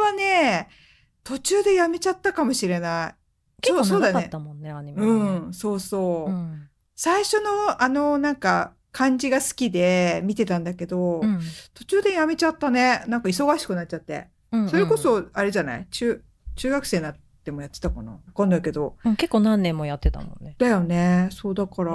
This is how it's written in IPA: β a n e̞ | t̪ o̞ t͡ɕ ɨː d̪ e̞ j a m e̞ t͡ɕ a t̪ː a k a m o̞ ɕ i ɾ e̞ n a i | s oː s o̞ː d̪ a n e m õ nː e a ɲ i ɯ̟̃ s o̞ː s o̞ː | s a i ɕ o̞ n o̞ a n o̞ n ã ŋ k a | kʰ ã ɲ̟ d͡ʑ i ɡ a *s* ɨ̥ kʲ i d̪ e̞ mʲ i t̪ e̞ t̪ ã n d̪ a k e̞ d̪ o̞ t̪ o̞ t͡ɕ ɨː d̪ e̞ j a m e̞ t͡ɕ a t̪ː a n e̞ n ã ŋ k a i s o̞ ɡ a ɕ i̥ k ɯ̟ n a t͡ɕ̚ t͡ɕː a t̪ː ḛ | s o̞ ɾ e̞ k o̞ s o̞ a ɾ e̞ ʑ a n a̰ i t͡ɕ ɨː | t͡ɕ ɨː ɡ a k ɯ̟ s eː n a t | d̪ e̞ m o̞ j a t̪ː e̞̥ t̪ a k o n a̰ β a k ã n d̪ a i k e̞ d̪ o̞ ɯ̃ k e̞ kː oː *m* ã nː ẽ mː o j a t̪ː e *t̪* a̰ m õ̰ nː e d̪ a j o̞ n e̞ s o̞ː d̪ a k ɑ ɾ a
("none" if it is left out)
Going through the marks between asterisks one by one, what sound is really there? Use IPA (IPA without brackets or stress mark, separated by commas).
s, n, t̪